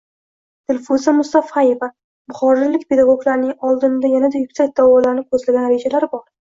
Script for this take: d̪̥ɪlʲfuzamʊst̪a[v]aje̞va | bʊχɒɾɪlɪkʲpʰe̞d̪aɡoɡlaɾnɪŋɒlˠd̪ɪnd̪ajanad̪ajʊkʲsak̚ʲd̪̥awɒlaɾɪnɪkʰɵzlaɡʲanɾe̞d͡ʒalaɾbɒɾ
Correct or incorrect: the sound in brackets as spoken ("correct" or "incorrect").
incorrect